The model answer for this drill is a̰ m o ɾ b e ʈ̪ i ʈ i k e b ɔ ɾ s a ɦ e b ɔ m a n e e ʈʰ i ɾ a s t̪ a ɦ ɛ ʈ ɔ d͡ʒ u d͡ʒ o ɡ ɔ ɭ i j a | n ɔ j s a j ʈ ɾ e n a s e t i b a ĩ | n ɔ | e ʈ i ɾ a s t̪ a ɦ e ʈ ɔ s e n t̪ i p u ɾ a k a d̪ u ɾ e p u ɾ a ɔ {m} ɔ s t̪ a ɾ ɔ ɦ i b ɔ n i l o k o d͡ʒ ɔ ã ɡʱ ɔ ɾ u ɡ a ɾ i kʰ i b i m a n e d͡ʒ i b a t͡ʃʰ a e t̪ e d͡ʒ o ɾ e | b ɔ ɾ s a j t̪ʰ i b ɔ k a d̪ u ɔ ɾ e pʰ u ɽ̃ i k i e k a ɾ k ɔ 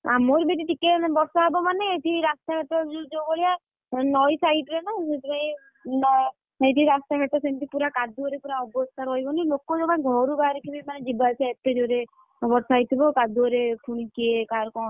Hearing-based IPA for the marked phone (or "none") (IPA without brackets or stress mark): b